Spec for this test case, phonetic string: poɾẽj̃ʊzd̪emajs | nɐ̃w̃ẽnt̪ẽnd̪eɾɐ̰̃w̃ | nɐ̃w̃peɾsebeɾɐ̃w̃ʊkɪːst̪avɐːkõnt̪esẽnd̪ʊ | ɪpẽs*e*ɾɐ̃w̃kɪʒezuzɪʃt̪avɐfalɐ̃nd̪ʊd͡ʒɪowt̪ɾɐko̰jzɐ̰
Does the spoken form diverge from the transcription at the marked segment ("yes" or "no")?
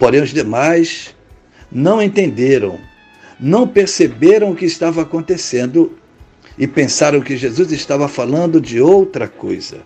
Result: yes